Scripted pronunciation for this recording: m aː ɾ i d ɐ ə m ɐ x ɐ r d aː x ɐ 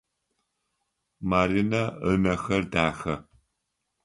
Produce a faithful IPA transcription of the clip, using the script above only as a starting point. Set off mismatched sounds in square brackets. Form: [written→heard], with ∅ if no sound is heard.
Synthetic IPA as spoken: m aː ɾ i [d→n] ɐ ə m ɐ x ɐ r d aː x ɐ